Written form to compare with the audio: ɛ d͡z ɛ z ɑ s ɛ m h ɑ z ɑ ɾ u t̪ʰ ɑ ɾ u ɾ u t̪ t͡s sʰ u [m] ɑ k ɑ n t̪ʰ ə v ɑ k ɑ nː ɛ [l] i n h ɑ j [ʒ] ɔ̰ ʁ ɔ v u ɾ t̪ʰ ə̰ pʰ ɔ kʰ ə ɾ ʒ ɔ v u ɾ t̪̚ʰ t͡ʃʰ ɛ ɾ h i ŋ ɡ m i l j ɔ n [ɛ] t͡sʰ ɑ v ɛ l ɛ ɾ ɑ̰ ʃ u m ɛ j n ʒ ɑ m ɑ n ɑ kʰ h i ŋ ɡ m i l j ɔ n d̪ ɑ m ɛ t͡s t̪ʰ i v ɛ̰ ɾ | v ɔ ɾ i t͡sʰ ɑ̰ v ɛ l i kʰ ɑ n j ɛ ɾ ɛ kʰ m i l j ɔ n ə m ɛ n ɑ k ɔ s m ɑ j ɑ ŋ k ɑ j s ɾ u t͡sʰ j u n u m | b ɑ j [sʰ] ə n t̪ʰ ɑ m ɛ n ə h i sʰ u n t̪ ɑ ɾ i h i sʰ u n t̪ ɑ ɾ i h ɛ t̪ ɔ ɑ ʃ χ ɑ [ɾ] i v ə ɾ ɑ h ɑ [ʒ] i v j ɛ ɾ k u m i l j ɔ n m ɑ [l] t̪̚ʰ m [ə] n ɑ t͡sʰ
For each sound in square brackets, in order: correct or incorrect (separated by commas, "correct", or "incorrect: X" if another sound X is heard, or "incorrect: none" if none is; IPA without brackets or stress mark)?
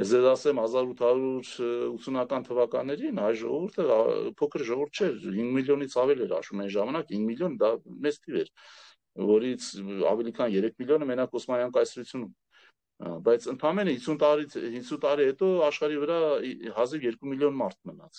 incorrect: n, incorrect: ɾ, correct, incorrect: i, incorrect: t͡sʰ, correct, incorrect: z, incorrect: ɾ, correct